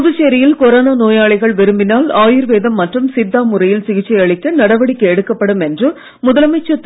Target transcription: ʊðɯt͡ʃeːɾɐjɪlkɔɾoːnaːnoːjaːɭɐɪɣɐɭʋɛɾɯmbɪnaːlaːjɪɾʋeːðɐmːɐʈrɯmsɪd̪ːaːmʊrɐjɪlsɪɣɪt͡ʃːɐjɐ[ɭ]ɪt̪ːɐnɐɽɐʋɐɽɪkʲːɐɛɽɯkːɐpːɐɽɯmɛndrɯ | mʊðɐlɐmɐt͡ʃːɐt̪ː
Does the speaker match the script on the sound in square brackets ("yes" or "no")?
yes